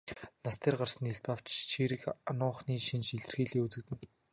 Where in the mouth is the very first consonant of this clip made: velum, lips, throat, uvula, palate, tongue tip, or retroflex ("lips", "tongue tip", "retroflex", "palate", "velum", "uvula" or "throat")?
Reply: tongue tip